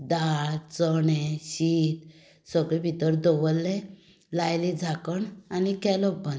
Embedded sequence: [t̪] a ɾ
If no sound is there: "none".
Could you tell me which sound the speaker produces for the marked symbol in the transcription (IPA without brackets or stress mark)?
d̪